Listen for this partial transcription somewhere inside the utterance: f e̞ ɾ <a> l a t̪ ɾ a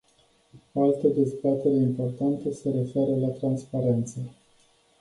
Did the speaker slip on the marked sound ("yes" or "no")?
yes